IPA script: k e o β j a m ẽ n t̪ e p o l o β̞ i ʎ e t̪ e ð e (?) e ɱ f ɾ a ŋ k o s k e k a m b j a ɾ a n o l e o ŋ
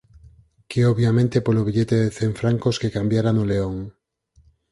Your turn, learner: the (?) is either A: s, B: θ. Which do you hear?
B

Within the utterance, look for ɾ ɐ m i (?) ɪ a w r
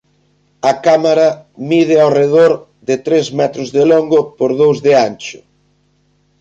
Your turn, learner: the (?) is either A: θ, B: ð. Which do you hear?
B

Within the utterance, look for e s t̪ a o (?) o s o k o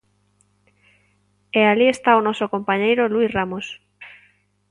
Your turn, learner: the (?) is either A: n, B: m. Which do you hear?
A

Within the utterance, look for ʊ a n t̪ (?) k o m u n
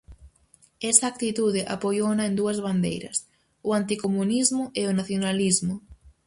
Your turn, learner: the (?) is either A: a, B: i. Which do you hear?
B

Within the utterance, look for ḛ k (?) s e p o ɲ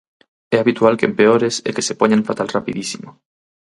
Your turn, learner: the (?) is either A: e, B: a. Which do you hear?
A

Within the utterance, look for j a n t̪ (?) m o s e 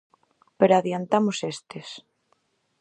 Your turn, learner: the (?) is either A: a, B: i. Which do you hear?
A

